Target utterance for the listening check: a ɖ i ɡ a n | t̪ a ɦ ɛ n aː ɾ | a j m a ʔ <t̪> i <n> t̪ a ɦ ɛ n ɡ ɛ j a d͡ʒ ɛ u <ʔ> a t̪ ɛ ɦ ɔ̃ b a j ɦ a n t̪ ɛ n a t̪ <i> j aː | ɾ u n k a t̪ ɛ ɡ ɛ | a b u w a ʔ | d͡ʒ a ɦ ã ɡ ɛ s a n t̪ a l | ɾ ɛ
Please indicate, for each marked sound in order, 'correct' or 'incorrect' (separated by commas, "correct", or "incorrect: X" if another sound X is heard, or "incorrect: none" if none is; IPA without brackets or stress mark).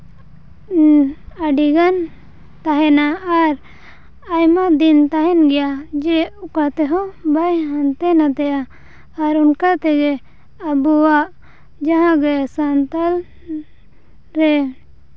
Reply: incorrect: d̪, correct, incorrect: k, incorrect: ɛ